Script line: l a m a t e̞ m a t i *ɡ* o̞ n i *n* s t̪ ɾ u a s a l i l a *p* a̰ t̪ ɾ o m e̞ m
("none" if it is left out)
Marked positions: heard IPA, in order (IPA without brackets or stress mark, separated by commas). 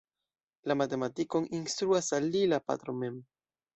k, n, p